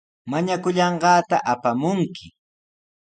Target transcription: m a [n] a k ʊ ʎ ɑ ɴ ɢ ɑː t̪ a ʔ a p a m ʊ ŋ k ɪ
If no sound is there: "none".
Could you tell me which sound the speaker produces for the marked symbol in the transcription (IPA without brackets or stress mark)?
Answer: ɲ